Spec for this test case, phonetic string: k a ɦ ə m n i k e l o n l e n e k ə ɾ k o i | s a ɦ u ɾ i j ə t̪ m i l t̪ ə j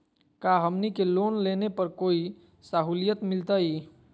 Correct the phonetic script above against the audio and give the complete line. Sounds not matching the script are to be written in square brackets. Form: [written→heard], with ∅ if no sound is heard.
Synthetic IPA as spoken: k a ɦ ə m n i k e l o n l e n e [k→p] ə ɾ k o i | s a ɦ u [ɾ→l] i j ə t̪ m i l t̪ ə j